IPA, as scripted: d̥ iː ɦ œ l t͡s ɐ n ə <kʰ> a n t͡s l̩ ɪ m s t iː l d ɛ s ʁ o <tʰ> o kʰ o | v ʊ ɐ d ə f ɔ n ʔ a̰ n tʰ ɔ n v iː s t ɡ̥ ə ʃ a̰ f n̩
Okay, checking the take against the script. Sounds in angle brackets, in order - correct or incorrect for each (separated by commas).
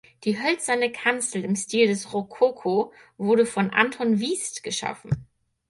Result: correct, incorrect